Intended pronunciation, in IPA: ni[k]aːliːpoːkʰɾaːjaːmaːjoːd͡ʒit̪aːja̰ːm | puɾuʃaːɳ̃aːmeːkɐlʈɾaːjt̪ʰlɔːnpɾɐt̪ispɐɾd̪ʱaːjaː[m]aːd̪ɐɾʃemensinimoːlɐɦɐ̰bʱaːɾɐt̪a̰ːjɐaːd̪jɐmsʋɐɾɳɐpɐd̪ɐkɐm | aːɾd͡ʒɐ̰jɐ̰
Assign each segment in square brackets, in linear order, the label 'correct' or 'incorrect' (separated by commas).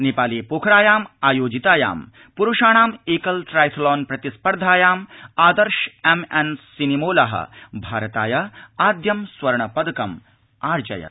incorrect, correct